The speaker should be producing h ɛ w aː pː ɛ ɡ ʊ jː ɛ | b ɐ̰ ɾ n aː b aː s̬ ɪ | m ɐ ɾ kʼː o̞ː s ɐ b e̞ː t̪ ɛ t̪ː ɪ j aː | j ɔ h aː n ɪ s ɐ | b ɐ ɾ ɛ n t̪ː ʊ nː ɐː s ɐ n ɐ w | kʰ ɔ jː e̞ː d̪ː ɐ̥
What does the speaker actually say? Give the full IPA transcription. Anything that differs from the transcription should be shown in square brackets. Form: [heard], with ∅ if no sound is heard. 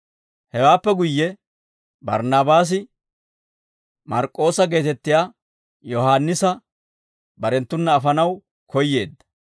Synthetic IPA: h ɛ w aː pː ɛ ɡ ʊ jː ɛ | b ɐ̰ ɾ n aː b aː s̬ ɪ | m ɐ ɾ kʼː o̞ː s ɐ [ɡ] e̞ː t̪ ɛ t̪ː ɪ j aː | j ɔ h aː [nː] ɪ s ɐ | b ɐ ɾ ɛ n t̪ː ʊ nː ɐː [f] ɐ n ɐ w | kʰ ɔ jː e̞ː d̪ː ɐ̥